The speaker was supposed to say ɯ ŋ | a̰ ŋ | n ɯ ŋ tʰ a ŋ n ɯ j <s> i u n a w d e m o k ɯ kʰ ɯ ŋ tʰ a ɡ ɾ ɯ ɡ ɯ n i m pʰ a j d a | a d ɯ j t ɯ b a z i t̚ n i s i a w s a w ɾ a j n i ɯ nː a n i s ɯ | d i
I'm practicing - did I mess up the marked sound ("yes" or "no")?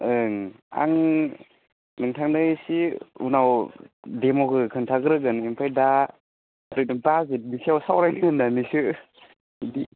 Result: no